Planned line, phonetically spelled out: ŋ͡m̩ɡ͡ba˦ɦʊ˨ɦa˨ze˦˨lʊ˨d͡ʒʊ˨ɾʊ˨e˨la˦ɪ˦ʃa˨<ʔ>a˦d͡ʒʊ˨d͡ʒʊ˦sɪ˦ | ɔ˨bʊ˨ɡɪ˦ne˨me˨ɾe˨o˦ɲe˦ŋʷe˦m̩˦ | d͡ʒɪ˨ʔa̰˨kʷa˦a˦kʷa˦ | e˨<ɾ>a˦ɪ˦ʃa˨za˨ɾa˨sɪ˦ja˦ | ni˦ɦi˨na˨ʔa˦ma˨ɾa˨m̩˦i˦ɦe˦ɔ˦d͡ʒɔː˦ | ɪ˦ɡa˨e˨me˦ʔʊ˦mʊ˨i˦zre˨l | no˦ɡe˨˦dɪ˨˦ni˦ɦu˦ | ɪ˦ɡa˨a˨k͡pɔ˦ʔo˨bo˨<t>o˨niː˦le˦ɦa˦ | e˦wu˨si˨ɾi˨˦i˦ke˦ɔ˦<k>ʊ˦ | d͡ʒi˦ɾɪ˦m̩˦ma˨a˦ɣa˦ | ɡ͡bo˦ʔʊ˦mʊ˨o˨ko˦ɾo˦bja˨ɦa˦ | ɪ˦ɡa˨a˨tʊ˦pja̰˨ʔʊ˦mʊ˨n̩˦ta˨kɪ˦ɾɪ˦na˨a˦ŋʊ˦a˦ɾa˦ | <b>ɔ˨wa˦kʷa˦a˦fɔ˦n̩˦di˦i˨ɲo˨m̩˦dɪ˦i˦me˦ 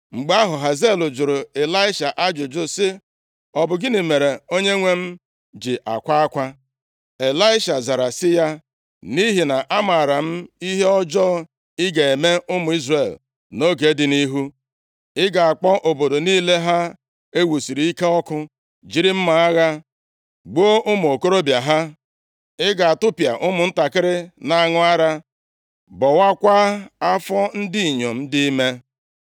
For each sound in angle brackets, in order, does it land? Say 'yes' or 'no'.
yes, no, no, yes, yes

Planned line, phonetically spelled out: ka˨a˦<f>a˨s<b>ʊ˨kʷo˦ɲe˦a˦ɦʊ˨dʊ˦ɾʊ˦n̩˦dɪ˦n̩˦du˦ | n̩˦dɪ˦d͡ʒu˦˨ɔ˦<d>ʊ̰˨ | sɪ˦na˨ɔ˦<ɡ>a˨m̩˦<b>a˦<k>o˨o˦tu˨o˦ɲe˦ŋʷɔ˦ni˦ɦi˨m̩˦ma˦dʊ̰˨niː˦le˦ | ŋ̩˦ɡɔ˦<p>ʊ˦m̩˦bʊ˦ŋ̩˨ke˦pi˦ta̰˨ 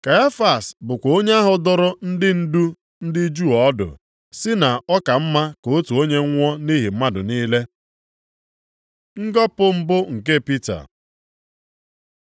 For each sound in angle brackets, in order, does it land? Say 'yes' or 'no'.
yes, yes, yes, no, no, yes, yes

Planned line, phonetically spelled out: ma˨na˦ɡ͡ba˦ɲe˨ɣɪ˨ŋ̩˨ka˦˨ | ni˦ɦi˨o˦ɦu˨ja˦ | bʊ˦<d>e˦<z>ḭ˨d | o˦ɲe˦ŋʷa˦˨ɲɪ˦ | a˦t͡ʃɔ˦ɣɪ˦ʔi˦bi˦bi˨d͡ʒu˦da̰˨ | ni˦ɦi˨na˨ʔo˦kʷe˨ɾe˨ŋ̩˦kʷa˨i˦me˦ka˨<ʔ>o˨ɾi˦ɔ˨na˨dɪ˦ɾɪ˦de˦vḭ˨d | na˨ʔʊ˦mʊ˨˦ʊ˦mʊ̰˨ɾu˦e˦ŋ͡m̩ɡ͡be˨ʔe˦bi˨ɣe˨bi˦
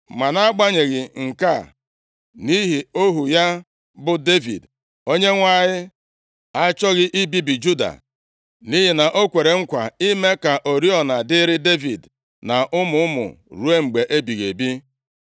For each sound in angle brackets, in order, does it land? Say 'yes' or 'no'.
yes, no, yes

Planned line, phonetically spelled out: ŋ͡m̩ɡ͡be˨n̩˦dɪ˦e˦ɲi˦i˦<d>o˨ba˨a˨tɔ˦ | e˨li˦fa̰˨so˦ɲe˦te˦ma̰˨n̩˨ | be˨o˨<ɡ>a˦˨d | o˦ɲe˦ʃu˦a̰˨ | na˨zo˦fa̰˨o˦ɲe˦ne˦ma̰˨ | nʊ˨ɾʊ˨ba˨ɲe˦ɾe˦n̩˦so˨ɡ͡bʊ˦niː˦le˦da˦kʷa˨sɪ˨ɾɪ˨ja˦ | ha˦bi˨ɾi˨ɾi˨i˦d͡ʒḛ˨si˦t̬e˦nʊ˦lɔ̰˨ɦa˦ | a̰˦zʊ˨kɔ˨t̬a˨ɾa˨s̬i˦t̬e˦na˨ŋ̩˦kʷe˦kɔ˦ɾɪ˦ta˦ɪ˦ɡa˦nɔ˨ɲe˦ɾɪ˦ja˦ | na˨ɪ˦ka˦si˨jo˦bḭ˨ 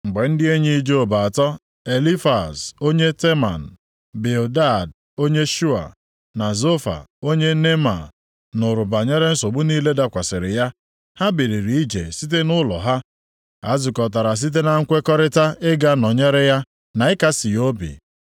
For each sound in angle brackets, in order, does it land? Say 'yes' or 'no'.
no, no

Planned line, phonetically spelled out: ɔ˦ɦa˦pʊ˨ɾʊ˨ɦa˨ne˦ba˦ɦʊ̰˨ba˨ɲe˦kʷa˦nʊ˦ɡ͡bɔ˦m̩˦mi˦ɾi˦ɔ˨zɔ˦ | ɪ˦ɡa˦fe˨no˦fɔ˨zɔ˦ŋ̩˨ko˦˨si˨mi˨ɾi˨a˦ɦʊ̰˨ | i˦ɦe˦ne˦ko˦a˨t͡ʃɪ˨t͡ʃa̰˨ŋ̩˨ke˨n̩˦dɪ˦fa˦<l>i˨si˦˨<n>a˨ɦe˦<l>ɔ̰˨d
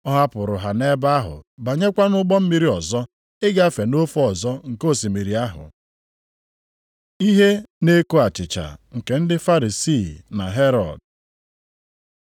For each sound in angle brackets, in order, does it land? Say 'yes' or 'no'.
no, yes, no

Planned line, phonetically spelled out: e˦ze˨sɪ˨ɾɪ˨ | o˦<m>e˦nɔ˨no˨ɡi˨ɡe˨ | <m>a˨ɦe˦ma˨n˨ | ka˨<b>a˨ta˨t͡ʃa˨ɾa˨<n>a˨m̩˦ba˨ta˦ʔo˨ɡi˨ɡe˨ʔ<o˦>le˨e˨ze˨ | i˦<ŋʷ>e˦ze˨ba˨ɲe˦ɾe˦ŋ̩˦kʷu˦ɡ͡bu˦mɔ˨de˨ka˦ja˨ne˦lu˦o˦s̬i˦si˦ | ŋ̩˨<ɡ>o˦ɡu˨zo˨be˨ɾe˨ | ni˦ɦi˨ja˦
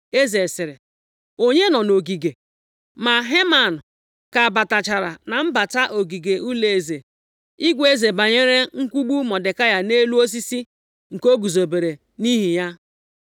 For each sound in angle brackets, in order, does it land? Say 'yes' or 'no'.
no, yes, yes, yes, no, no, no

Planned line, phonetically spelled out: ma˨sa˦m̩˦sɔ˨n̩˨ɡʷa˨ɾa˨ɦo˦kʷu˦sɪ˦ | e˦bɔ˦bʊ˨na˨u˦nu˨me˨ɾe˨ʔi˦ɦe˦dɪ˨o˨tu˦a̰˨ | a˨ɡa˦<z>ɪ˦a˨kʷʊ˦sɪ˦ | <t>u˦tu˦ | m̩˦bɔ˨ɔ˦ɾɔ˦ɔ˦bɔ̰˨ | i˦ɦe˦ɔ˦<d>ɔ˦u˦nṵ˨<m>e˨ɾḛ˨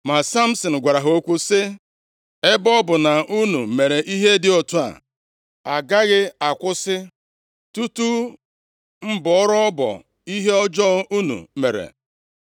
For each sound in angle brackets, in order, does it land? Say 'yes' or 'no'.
no, yes, no, yes

